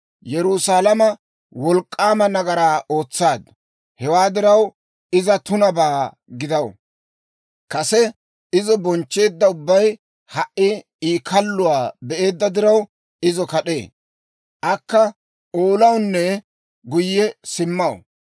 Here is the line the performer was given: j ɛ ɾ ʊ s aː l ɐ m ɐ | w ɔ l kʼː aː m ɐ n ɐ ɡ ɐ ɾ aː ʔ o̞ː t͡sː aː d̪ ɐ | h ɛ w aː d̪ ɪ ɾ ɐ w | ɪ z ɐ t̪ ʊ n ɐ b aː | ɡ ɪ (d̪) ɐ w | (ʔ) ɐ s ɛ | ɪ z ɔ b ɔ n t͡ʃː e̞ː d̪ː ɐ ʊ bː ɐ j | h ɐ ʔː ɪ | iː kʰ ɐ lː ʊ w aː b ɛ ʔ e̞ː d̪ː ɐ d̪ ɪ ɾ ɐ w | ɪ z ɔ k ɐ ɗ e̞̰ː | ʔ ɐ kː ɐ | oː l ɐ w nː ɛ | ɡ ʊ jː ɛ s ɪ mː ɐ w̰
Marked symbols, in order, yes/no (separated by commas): yes, no